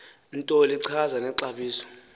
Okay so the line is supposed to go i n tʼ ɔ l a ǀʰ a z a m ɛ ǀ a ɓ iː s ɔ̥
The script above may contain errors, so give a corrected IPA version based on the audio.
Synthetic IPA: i n tʼ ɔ l i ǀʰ a z a n ɛ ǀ a ɓ iː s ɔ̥